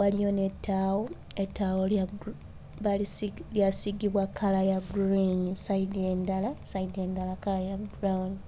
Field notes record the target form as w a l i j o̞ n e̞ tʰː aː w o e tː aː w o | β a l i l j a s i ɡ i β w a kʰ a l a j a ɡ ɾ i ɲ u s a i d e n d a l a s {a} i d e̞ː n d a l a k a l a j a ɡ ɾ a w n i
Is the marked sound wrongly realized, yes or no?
no